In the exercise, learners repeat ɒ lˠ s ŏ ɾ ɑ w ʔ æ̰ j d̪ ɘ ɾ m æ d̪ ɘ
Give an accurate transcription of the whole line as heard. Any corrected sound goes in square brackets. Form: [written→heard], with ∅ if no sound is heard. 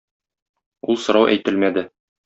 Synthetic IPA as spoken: [ɒ→u] lˠ s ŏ ɾ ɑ w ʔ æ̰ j [d̪→t̪] ɘ [ɾ→l] m æ d̪ ɘ